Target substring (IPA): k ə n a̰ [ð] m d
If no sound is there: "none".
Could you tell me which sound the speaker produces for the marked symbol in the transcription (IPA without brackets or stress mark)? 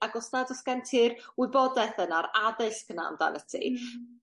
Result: none